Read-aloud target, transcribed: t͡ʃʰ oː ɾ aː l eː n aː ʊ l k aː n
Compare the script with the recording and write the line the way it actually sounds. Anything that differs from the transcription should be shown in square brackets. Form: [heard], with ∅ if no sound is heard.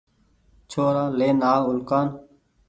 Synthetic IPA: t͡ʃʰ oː ɾ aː l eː n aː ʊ l k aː n

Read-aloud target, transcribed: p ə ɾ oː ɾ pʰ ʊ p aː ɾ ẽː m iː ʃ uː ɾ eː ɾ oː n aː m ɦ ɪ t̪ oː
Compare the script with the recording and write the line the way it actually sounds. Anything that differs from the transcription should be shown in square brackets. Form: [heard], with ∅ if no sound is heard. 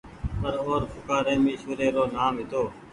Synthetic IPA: p ə ɾ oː ɾ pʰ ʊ [k] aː ɾ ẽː m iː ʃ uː ɾ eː ɾ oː n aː m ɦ ɪ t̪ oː

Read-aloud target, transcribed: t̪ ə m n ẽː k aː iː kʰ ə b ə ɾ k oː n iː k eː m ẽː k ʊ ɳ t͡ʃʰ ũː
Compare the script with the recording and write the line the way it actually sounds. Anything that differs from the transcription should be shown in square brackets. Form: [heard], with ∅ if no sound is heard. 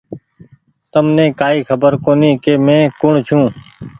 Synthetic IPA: t̪ ə m n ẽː k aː iː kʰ ə b ə ɾ k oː n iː k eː m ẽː k ʊ ɳ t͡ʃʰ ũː

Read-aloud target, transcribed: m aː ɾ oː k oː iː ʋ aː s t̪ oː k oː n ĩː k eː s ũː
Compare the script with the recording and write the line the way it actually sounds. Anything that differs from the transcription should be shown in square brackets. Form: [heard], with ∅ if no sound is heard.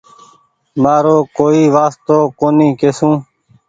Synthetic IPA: m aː ɾ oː k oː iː ʋ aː s t̪ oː k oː n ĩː k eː s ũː

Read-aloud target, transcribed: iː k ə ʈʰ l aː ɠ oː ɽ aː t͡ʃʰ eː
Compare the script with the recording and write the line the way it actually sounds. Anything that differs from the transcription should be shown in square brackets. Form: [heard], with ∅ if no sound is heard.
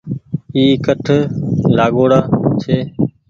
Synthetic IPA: iː k ə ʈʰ l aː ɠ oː ɽ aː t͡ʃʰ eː

